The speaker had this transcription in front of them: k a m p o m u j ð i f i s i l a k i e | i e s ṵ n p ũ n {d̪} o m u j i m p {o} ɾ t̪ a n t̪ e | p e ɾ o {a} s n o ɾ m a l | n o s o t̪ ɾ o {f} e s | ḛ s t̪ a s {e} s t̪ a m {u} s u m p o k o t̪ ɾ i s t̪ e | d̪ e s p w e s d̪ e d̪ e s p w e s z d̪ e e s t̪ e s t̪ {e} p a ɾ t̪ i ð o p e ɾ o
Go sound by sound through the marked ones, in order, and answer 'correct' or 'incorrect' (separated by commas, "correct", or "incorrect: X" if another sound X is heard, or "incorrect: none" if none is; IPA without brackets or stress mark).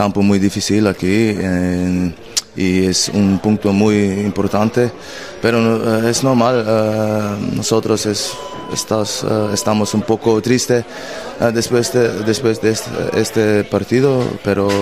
incorrect: t̪, correct, incorrect: e, incorrect: s, correct, incorrect: o, correct